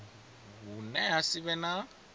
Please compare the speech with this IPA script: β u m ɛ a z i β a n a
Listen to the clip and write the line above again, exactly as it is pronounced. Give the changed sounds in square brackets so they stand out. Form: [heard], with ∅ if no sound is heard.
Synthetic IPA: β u [n] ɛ a [s] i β [ɛ] n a